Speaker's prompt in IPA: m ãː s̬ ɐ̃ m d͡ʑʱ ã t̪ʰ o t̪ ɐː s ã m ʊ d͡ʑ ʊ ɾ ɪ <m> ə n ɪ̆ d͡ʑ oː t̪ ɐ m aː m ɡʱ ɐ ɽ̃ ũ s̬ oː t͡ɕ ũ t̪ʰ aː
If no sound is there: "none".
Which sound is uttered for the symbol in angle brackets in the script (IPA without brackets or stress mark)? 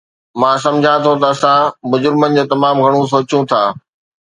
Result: m